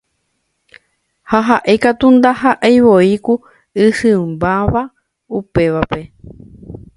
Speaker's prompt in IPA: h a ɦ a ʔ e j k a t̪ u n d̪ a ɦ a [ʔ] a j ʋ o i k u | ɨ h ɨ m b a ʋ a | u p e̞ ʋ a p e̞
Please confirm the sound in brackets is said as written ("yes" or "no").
yes